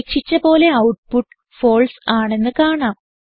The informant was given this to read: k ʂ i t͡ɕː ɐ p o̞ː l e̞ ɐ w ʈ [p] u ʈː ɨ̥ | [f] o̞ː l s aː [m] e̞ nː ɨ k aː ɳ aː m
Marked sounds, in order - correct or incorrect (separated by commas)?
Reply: correct, correct, incorrect